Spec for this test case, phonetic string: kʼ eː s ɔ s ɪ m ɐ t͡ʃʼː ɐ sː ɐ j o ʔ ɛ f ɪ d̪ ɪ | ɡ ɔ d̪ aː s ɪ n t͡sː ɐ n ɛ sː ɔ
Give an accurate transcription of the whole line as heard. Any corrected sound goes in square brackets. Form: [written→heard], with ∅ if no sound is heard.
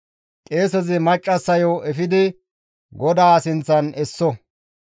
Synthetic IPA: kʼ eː s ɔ [s→z] ɪ m ɐ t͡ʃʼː ɐ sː ɐ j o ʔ ɛ f ɪ d̪ ɪ | ɡ ɔ d̪ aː s ɪ n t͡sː ɐ n ɛ sː ɔ